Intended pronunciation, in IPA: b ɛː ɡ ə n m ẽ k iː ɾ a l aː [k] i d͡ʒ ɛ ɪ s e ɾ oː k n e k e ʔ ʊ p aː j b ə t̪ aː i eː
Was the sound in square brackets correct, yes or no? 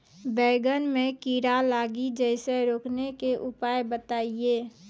no